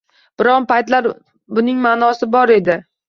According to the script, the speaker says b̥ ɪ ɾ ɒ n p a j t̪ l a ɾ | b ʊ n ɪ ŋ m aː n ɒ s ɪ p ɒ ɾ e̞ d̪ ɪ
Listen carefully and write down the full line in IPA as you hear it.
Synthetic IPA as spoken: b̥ ɪ ɾ ɒ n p a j t̪ l a ɾ | b ʊ n ɪ ŋ m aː n ɒ s ɪ b ɒ ɾ e̞ d̪ ɪ